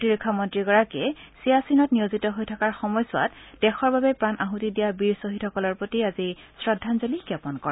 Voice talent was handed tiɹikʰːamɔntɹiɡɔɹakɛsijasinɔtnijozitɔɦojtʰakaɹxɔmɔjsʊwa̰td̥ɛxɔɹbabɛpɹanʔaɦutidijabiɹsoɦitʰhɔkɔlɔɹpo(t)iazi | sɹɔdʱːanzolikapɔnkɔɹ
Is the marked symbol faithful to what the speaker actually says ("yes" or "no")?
yes